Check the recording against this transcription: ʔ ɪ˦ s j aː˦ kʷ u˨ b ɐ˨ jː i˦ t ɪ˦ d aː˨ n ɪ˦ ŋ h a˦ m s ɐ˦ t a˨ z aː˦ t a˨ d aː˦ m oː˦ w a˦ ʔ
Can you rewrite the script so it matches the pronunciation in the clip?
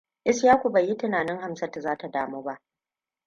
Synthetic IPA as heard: ʔ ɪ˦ s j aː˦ kʷ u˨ b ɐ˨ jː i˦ t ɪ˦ n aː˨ n ɪ˦ ŋ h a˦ m s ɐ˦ t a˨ z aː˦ t a˨ d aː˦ m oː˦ b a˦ ʔ